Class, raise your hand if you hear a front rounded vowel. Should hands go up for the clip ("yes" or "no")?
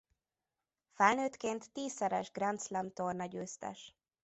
yes